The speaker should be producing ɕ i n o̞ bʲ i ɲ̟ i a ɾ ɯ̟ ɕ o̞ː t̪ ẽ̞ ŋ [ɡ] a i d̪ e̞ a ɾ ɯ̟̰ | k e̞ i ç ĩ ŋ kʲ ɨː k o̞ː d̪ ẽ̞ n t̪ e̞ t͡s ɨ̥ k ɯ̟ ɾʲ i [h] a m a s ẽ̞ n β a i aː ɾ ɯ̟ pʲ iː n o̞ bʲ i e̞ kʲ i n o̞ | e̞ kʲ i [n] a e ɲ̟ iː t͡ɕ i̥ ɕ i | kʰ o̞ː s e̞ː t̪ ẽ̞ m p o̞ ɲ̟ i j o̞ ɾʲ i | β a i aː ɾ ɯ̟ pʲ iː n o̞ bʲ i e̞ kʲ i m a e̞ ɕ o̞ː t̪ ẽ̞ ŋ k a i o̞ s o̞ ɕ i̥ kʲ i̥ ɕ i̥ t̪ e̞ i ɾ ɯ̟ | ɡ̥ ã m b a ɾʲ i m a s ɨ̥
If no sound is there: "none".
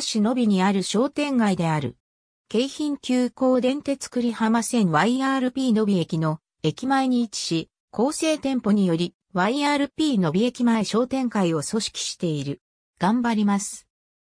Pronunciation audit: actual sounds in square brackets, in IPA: ɡ, h, m

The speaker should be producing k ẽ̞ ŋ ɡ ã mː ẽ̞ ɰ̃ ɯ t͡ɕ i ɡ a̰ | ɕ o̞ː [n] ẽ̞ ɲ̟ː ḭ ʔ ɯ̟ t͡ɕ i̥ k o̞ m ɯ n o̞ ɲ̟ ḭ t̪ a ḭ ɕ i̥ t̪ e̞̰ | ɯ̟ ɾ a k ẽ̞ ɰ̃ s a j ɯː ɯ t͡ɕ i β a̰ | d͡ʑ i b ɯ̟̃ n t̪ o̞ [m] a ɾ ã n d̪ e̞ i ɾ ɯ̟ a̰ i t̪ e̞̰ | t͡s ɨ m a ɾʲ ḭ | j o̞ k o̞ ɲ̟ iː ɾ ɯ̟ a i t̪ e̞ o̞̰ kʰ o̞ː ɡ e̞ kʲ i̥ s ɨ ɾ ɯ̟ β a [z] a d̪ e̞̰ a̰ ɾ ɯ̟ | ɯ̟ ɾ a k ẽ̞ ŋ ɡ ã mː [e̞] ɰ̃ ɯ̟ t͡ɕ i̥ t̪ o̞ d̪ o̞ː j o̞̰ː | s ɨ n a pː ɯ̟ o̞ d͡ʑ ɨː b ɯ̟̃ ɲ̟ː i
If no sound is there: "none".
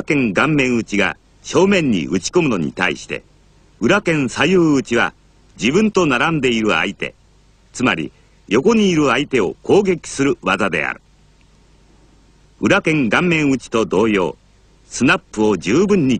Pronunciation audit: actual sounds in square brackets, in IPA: m, n, z, ẽ̞

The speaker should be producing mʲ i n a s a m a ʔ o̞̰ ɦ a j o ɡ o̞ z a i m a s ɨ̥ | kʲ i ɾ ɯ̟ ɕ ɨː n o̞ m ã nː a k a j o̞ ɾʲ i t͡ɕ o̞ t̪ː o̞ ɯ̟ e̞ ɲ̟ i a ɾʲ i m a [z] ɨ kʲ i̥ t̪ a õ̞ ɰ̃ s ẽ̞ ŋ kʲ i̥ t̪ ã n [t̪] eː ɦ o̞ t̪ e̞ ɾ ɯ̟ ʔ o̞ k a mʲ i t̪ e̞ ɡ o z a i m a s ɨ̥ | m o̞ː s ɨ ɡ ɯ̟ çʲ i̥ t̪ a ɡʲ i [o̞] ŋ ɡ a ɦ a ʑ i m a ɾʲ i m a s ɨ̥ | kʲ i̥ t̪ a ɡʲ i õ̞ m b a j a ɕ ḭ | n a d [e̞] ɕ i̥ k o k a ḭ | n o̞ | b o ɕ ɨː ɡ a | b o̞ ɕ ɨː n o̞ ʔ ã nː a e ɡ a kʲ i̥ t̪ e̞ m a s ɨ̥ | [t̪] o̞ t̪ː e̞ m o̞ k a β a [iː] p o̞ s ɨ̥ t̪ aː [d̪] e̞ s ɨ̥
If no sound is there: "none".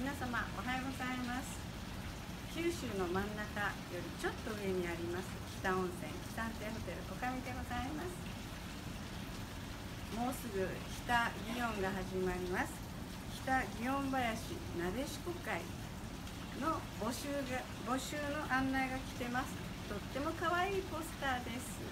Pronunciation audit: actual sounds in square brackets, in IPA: s, t̪, õ̞, e̞, t̪, iː, d̪

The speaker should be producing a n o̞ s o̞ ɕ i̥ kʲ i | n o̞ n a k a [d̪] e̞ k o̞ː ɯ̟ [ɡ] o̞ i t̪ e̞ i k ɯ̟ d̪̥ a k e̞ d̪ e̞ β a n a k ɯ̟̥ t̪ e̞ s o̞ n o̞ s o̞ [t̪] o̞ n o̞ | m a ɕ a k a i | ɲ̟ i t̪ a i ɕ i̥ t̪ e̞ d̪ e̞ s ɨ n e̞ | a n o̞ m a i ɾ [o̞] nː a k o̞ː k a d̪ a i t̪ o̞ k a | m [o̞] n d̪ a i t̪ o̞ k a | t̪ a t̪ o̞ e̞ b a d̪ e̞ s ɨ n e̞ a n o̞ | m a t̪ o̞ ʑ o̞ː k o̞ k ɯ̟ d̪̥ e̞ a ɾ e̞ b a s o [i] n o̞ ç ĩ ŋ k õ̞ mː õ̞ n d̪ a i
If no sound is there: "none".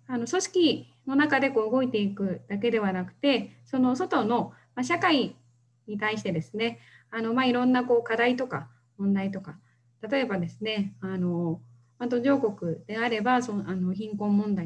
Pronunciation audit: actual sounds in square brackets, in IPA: d̪, ɡ, t̪, õ̞, õ̞, a

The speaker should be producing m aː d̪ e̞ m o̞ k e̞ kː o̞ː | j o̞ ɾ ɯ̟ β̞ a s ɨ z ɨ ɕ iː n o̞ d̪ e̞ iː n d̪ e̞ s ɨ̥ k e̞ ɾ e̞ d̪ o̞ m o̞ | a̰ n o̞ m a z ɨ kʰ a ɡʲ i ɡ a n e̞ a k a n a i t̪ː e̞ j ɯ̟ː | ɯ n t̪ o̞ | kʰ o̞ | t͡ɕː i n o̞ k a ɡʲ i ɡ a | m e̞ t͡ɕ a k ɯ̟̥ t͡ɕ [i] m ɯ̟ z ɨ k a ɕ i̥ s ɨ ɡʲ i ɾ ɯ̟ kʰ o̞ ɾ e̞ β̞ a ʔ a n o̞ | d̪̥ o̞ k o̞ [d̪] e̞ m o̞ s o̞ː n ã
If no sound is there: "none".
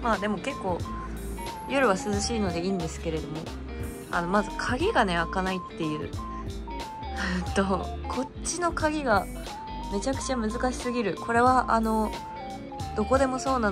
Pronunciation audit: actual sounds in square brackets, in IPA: a, d̪

